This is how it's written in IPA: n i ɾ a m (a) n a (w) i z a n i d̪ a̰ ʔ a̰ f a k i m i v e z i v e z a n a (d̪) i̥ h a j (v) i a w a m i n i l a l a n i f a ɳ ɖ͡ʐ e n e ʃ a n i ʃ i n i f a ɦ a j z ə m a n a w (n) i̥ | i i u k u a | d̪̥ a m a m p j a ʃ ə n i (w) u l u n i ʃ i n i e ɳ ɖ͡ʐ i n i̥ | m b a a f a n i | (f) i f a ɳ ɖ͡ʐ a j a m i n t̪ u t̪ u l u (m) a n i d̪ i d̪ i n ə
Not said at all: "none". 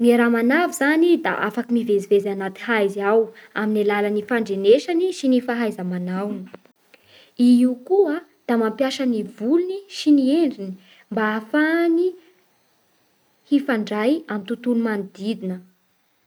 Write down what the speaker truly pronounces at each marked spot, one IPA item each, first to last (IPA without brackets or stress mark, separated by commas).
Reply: a, v, t̪, z, n, v, h, m